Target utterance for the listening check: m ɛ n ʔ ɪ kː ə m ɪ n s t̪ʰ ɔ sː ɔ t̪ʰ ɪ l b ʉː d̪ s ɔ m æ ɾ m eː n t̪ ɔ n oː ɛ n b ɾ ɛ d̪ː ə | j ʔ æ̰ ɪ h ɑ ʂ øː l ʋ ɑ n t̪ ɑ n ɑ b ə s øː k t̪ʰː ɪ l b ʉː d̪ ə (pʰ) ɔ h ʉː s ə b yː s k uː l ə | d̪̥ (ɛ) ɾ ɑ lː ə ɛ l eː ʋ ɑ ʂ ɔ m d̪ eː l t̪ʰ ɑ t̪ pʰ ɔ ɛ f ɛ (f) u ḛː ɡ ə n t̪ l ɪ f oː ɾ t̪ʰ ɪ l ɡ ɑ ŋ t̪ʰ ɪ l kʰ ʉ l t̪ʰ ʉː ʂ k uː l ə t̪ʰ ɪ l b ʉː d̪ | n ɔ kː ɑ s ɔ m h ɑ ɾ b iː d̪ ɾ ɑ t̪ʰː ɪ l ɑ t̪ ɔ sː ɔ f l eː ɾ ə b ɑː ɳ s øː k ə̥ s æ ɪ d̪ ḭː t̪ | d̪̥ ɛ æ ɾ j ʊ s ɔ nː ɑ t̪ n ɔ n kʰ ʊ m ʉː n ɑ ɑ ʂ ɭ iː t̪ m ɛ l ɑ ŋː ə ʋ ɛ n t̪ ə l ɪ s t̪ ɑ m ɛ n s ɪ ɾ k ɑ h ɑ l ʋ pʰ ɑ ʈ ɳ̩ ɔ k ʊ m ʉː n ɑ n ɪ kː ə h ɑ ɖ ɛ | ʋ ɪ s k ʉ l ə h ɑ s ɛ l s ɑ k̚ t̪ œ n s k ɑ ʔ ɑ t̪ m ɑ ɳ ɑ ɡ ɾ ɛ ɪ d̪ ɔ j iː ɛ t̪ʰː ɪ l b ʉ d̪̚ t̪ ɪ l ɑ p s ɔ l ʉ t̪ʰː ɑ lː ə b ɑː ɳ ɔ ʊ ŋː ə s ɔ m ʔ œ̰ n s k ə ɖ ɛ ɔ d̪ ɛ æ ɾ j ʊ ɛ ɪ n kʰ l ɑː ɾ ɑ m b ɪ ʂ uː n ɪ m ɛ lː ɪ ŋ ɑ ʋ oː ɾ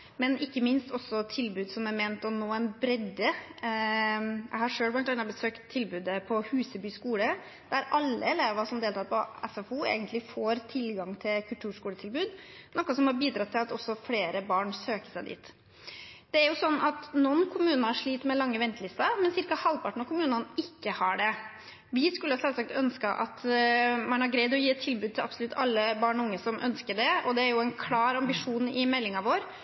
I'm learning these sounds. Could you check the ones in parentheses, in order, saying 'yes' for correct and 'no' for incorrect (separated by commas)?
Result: yes, no, yes